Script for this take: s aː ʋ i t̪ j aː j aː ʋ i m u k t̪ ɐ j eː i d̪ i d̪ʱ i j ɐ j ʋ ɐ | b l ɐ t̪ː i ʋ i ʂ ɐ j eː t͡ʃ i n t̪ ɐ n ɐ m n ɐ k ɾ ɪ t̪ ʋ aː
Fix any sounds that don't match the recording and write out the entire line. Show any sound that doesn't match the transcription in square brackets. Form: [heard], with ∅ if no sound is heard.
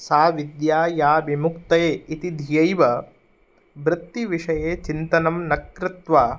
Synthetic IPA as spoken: s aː ʋ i [d̪] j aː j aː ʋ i m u k t̪ ɐ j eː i [t̪] i d̪ʱ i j ɐ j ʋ ɐ | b [ɾ] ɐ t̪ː i ʋ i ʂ ɐ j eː t͡ʃ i n t̪ ɐ n ɐ m n ɐ k ɾ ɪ t̪ ʋ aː